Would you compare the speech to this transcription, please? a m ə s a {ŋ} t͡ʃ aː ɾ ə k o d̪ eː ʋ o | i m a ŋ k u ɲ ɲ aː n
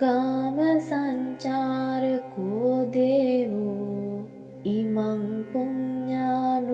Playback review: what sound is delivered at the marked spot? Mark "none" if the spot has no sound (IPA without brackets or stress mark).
ɲ